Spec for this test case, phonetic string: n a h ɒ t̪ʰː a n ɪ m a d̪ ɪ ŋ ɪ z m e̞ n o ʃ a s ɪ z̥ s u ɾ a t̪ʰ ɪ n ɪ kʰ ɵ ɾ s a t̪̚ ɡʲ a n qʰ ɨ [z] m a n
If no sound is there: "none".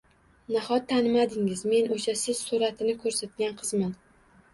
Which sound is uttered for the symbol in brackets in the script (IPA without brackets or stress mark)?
z